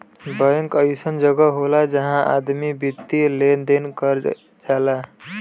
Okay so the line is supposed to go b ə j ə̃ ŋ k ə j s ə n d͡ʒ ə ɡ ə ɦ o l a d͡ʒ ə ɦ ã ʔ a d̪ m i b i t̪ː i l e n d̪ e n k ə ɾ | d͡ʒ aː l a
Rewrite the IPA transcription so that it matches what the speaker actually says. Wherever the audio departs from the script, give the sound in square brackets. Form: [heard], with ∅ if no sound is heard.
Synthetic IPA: b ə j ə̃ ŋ k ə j s ə n d͡ʒ ə ɡ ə ɦ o l a d͡ʒ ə ɦ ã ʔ a d̪ m i b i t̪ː i l e n d̪ e n k ə ɾ | d͡ʒ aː l a